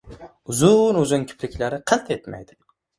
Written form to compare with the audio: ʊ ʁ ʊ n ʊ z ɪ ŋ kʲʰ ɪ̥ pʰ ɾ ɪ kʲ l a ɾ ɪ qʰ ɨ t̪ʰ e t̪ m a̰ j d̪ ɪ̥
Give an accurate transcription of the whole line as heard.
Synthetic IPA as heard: ʊ z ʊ n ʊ z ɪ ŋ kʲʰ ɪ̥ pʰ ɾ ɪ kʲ l a ɾ ɪ qʰ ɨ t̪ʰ e t̪ m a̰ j d̪ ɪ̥